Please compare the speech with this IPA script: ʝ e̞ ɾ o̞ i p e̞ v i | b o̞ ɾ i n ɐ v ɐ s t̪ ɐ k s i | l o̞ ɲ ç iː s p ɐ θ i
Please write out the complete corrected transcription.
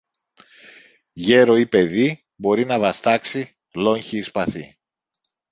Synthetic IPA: ʝ e̞ ɾ o̞ i p e̞ ð i | b o̞ ɾ i n ɐ v ɐ s t̪ ɐ k s i | l o̞ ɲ ç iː s p ɐ θ i